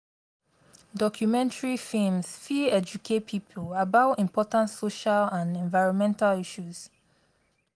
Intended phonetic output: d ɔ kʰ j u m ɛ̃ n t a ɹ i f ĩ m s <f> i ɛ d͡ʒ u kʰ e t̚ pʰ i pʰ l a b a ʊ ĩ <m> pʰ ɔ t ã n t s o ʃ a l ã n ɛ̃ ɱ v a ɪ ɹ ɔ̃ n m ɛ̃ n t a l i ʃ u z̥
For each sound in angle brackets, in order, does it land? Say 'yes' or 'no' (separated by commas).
yes, yes